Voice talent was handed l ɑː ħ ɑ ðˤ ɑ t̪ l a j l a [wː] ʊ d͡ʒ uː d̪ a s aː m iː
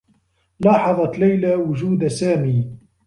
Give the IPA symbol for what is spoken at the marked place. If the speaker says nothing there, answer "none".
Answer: w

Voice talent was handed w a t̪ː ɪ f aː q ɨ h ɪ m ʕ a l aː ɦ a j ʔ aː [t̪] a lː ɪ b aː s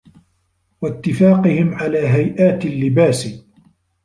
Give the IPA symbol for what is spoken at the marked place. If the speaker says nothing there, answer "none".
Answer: t̪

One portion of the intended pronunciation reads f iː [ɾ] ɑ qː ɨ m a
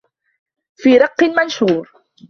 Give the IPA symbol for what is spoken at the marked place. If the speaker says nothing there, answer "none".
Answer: ɾ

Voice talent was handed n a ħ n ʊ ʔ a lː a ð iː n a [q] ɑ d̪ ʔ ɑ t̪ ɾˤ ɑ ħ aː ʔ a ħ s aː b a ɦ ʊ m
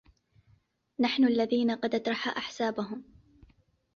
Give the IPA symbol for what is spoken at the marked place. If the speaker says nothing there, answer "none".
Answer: q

